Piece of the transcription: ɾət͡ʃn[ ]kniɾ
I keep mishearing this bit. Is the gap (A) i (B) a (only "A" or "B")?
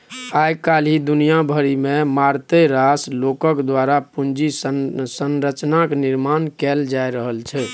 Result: B